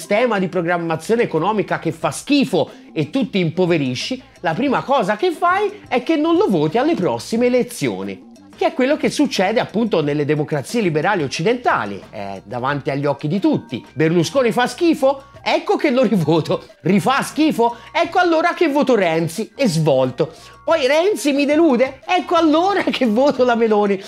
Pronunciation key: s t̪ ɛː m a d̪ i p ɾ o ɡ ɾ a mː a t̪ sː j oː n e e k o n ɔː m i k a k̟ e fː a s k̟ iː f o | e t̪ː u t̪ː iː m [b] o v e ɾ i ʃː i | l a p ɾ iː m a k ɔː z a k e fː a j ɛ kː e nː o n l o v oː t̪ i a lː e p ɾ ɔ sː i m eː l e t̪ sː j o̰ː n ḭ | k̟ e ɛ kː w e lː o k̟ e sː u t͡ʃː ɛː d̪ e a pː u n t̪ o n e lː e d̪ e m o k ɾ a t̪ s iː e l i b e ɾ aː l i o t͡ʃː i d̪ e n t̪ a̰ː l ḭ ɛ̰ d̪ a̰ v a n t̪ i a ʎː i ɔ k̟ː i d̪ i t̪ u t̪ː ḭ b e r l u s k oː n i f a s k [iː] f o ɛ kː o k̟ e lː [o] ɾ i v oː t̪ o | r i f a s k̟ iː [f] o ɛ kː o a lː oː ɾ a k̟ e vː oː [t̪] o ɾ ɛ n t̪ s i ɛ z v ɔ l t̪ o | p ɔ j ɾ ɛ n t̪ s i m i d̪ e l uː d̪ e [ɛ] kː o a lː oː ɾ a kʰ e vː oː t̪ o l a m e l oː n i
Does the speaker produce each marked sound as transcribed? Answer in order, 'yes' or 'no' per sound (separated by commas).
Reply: no, yes, yes, yes, yes, yes